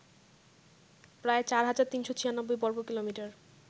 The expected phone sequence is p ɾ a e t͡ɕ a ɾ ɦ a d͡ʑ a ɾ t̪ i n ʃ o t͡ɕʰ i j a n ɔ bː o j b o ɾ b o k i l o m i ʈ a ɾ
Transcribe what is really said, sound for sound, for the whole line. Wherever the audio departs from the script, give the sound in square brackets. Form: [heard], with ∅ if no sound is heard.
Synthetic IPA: p ɾ a e t͡ɕ a ɾ ɦ a d͡ʑ a ɾ t̪ i n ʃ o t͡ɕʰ i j a n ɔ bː o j b [ɔ] ɾ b o k i l o m i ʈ a ɾ